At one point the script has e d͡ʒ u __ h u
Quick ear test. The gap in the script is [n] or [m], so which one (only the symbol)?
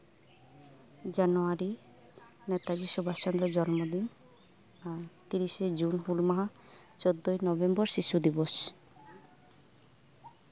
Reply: n